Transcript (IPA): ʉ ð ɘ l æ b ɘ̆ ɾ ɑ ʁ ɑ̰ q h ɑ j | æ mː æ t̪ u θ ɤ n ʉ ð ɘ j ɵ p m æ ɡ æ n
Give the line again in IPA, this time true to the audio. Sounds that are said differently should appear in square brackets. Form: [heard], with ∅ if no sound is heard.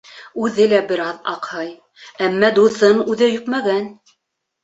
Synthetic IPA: ʉ ð ɘ l æ b ɘ̆ ɾ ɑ [ð] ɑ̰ q h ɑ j | æ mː æ [d̪] u θ ɤ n ʉ ð ɘ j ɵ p m æ ɡ æ n